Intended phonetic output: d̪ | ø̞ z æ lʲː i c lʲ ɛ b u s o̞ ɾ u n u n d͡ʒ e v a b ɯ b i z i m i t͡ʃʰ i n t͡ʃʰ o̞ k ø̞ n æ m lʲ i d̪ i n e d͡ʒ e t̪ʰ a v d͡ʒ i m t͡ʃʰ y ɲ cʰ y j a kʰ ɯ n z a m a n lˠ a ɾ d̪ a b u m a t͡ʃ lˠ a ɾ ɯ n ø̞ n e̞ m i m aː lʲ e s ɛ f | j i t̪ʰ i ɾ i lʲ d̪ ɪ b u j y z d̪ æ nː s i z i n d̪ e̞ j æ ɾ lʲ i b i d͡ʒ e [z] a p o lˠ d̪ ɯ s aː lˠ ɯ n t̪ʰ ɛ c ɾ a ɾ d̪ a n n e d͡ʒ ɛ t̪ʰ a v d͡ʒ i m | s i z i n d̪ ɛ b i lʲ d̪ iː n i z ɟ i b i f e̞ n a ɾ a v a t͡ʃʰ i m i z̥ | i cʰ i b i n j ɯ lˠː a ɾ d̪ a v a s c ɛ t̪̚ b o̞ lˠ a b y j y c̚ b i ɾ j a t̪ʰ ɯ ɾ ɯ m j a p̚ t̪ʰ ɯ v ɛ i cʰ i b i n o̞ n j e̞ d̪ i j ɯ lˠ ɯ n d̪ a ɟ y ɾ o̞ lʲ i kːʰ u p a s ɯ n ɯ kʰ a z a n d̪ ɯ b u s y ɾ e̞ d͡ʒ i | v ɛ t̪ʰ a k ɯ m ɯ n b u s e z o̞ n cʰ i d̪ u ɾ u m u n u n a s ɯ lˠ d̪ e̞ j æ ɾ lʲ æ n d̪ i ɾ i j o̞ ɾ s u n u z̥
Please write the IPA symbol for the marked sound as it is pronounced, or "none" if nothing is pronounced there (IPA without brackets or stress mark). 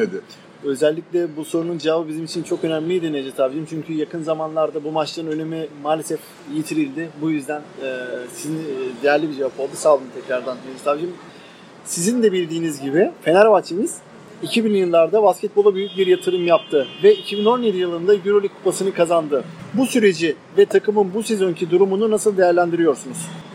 v